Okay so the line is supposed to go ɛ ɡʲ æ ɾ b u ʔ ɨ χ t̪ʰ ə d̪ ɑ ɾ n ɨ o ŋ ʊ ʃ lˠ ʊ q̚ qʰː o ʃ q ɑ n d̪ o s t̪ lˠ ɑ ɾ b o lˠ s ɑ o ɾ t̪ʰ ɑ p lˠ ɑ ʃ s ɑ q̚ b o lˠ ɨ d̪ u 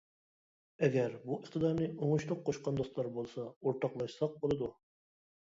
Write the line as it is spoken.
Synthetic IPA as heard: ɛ ɡʲ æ ɾ b u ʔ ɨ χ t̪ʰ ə d̪ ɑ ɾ n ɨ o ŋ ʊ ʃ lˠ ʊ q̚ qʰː o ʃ q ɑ n d̪ o s t̪ lˠ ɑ ɾ b o lˠ s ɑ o ɾ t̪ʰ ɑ q lˠ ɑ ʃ s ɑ q̚ b o lˠ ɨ d̪ u